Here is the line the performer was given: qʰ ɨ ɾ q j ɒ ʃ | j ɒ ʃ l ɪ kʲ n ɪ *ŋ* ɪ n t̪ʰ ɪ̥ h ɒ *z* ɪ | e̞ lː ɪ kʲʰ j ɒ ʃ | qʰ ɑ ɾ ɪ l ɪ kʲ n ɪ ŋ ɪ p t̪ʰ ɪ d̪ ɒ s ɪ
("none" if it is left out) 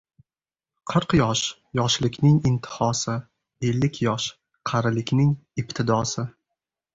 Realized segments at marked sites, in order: ŋ, s

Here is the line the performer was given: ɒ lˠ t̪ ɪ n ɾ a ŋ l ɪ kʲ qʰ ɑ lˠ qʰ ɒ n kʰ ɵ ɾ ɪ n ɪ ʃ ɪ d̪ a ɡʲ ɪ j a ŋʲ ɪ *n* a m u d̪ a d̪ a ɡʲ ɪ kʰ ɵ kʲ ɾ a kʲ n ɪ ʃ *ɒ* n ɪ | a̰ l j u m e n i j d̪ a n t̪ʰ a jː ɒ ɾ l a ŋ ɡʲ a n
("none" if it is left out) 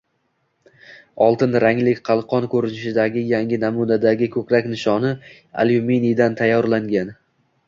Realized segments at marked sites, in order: n, ɒ

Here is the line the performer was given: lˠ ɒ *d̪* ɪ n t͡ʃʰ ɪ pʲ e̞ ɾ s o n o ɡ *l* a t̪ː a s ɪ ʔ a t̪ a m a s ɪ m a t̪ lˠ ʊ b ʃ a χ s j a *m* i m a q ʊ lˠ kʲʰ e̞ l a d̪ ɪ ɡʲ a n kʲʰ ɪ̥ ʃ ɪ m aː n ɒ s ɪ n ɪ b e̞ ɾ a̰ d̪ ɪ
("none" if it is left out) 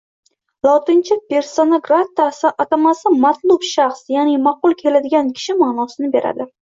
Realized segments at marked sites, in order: t̪, ɾ, n

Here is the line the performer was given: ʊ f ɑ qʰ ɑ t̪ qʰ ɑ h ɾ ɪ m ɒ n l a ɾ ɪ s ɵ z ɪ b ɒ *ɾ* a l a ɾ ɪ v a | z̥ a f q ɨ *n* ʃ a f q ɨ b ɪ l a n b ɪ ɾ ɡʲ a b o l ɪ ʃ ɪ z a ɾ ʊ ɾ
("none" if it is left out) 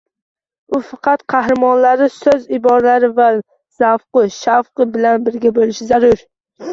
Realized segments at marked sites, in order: ɾ, none

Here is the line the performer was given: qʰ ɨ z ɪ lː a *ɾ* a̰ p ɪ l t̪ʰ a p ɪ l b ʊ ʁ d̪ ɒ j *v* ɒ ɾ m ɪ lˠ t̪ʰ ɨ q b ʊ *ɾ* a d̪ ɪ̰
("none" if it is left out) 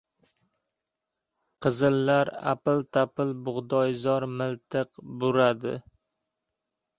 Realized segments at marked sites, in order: ɾ, z, ɾ

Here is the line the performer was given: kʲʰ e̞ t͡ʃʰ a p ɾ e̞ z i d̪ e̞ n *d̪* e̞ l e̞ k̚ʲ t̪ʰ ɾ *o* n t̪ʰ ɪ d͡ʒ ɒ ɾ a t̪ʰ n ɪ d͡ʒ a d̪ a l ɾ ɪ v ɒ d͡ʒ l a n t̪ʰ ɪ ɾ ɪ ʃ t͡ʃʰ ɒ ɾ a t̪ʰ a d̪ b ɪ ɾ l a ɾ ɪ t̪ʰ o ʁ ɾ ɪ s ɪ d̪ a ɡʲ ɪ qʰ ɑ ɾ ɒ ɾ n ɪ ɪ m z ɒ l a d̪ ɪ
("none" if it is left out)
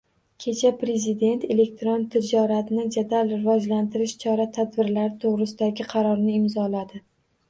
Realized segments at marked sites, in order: t̪, o

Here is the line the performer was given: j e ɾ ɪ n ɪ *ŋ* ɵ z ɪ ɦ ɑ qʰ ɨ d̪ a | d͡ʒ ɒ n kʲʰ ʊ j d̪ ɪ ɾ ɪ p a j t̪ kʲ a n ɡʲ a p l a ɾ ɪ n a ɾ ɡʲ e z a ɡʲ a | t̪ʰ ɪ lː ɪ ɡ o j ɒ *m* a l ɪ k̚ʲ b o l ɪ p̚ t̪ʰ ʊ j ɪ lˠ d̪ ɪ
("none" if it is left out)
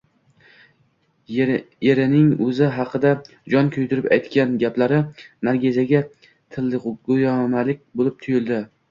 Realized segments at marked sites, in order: ŋ, m

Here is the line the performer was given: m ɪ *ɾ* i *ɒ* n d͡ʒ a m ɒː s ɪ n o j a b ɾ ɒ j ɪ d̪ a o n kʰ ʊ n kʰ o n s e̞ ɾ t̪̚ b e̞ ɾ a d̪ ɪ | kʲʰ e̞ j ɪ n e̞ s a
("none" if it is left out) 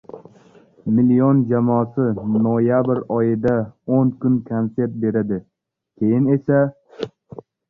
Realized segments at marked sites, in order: l, o

